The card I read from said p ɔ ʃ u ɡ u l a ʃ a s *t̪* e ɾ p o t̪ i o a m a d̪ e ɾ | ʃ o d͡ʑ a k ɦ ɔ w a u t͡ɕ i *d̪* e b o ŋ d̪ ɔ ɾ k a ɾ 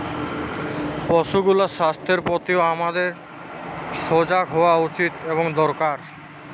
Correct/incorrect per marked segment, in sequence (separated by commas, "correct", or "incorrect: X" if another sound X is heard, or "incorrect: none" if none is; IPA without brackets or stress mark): incorrect: t̪ʰ, incorrect: t̪